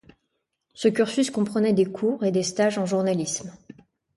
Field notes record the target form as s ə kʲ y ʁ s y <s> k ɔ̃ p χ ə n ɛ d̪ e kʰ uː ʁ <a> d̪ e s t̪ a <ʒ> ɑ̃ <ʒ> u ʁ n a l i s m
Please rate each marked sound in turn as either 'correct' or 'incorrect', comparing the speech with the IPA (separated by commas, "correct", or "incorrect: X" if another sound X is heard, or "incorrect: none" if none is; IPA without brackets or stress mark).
correct, incorrect: e, correct, correct